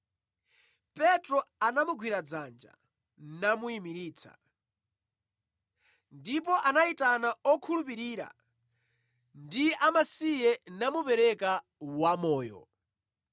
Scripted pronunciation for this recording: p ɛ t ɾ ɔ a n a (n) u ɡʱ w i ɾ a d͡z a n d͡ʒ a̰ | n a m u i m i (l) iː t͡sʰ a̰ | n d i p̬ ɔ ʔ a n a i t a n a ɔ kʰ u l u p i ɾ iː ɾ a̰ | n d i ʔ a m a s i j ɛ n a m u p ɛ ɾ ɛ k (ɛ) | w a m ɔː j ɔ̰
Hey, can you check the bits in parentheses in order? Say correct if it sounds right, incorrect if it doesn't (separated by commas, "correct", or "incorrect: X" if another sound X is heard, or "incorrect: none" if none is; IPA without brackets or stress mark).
incorrect: m, incorrect: ɾ, incorrect: a